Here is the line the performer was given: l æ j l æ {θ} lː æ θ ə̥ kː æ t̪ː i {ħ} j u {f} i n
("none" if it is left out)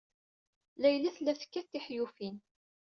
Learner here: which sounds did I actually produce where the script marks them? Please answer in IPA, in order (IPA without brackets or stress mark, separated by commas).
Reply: θ, ħ, f